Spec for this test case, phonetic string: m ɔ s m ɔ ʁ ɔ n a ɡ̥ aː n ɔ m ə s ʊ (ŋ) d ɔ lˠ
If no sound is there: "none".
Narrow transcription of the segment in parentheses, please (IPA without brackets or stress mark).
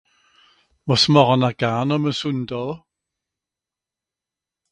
n